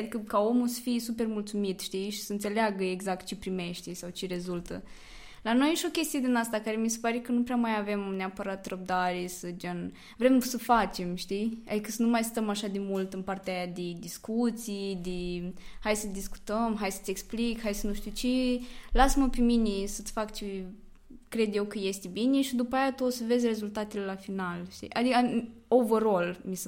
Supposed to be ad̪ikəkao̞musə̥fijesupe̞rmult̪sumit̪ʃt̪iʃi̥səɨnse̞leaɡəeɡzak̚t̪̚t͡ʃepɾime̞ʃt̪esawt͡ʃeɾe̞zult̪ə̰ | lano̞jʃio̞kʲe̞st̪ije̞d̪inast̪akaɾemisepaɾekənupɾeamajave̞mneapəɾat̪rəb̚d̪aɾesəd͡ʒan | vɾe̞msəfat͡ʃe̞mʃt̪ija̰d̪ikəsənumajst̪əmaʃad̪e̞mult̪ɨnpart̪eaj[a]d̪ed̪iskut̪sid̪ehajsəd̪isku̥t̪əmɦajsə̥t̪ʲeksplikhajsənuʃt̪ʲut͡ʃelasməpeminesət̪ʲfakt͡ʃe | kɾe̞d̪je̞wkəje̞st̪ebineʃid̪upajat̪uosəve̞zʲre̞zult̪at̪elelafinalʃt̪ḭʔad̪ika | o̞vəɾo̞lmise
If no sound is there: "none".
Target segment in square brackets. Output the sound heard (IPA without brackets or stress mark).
a